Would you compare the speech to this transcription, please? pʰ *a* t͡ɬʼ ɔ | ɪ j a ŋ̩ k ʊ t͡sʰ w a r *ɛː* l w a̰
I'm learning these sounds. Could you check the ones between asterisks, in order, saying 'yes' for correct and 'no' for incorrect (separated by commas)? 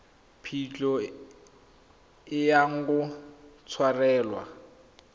no, yes